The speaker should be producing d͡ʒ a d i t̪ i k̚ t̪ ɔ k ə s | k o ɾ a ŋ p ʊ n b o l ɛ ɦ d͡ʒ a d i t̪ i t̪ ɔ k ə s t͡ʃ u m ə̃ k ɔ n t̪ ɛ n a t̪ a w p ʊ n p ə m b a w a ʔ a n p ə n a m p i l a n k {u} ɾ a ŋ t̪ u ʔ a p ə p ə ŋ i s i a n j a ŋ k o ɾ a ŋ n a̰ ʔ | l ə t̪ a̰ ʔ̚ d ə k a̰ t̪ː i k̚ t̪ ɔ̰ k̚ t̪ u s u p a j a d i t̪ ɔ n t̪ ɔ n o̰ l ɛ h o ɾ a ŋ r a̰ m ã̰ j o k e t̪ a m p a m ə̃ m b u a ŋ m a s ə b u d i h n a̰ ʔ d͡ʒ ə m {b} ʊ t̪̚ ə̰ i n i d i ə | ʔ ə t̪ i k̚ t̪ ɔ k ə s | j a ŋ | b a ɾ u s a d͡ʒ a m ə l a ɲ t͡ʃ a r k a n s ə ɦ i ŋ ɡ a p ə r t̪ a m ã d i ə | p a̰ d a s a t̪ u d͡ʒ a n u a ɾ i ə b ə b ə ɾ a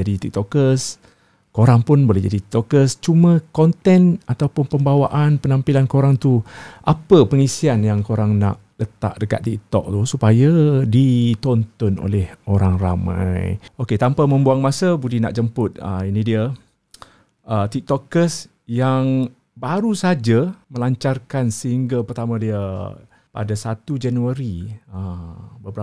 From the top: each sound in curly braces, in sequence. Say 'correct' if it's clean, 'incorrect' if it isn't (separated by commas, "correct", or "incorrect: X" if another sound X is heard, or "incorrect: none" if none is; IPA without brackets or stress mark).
incorrect: o, incorrect: p